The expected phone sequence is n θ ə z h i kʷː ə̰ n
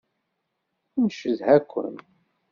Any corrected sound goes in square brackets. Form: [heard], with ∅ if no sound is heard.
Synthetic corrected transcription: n [ʃ] ə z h [æ] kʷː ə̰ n